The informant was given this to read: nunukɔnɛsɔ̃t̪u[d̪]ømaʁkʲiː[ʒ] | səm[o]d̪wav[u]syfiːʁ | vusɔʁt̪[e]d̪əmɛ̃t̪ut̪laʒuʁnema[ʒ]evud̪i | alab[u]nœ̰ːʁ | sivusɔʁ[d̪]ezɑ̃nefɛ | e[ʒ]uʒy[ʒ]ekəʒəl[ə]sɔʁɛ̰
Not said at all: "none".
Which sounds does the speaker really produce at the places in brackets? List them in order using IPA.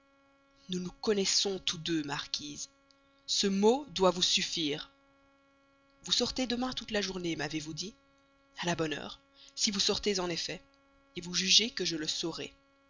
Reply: d̪, z, o, u, e, v, ɔ, t̪, v, ʒ, ə

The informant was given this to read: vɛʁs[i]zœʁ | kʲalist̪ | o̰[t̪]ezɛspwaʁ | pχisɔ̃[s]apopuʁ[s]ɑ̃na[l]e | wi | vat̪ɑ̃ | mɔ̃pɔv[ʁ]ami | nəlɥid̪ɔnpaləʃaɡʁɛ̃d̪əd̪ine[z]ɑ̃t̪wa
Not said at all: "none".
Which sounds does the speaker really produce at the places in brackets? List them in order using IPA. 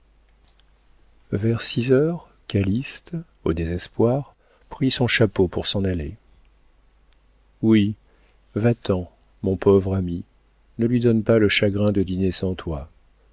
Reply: i, d̪, ʃ, s, l, ʁ, s

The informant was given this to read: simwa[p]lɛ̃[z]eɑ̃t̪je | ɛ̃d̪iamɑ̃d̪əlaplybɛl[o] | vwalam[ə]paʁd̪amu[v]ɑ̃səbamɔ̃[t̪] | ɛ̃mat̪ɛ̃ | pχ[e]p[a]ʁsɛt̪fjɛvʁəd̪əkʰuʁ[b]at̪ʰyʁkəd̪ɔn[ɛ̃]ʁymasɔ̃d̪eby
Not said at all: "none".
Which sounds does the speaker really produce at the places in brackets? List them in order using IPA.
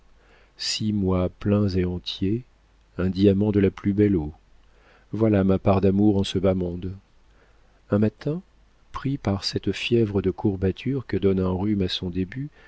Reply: p, z, o, a, ʁ, d̪, i, a, b, ɛ̃

